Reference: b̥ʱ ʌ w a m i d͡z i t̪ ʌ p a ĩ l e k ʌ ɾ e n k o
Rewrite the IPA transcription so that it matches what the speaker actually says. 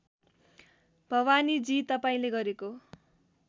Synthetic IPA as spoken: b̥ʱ ʌ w a n i d͡z i t̪ ʌ p a ĩ l e ɡ ʌ ɾ e k o